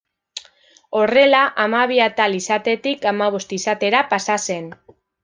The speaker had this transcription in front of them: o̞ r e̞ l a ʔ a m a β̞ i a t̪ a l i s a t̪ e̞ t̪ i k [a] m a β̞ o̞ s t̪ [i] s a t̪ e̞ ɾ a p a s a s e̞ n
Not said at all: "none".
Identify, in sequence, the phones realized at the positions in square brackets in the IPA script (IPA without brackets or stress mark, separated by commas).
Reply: a, i